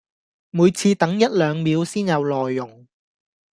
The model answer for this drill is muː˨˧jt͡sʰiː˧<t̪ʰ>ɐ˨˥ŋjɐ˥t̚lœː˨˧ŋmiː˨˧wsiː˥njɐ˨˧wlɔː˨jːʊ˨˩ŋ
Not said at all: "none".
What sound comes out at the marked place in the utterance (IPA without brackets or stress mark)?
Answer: t̪